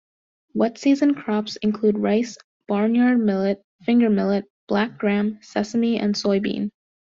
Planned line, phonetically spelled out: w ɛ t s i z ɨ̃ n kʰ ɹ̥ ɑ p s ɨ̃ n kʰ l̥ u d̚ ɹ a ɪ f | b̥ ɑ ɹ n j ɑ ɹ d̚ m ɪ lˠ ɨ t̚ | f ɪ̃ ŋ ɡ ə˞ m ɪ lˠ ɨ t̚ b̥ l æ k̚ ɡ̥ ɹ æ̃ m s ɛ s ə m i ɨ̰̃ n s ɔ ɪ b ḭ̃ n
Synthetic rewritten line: w ɛ t s i z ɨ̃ n kʰ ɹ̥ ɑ p s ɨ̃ n kʰ l̥ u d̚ ɹ a ɪ s | b̥ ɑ ɹ n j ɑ ɹ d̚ m ɪ lˠ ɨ t̚ | f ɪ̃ ŋ ɡ ə˞ m ɪ lˠ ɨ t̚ b̥ l æ k̚ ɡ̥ ɹ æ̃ m s ɛ s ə m i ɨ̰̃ n s ɔ ɪ b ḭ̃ n